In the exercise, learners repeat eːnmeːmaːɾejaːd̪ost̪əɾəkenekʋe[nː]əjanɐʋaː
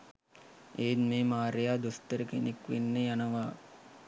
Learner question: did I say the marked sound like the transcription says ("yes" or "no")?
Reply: yes